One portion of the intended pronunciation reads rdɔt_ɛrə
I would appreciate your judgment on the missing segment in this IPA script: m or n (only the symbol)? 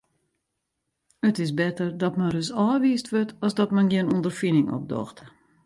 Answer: m